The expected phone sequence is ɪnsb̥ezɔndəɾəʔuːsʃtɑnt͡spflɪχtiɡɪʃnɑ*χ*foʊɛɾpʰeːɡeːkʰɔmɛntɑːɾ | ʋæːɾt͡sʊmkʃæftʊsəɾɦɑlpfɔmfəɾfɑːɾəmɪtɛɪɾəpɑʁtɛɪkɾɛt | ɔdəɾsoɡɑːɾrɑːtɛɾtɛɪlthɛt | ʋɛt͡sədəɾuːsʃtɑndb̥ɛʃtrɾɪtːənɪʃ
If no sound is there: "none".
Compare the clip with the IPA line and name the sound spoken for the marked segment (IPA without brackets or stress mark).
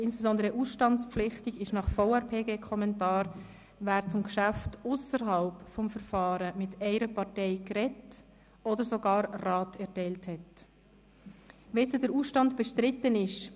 χ